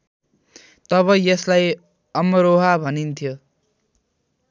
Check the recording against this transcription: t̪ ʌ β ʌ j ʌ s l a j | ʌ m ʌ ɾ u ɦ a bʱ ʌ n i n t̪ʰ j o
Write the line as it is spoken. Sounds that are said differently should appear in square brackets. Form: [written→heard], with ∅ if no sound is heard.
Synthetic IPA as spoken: t̪ ʌ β ʌ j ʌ s l a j | ʌ m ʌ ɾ [u→o] ɦ a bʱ ʌ n i n t̪ʰ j o